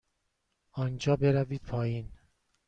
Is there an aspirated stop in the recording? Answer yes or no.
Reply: yes